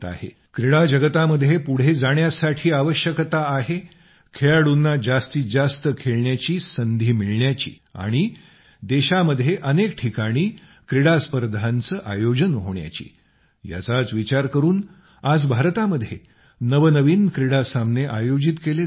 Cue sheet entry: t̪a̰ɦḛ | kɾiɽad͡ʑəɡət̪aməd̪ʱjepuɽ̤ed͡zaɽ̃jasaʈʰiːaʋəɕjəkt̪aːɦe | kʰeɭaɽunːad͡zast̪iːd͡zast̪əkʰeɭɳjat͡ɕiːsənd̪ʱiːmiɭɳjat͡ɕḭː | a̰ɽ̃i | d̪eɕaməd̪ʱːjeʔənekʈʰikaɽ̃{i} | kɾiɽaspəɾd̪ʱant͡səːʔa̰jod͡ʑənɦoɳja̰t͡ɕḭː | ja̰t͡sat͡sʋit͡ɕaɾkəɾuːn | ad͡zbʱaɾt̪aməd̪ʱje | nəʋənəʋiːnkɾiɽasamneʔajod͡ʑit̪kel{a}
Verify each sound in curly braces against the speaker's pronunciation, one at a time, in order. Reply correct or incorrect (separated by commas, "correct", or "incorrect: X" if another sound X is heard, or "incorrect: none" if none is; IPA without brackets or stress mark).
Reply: incorrect: iː, incorrect: e